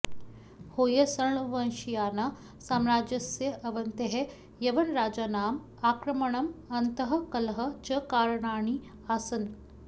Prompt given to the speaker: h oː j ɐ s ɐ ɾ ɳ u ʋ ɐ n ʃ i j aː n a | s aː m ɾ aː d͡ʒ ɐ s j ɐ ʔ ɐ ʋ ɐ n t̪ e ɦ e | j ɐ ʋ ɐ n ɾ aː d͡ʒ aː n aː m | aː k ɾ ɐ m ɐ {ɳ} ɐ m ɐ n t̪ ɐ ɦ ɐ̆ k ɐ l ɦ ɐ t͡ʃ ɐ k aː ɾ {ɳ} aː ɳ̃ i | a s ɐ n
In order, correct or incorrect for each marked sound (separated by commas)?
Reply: correct, correct